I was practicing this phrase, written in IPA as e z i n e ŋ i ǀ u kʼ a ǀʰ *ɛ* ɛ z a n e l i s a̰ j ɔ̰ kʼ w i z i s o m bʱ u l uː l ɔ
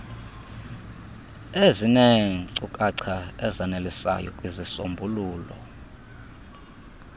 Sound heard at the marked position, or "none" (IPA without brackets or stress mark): a